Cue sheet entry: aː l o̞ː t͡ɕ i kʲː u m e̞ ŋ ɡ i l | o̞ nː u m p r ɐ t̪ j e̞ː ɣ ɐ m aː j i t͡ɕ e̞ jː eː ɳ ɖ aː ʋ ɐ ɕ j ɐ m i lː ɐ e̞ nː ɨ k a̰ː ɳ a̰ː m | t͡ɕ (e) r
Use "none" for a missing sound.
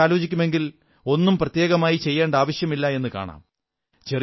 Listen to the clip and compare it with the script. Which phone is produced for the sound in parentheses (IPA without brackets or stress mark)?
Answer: e